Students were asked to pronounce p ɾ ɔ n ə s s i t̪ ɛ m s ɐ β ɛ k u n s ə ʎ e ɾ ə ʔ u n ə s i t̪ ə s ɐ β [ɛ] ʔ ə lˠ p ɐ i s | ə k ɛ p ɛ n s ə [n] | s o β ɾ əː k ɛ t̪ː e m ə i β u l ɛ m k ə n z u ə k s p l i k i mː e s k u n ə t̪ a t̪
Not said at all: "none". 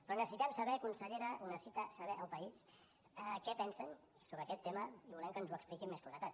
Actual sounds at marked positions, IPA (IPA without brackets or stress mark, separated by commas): ɛ, n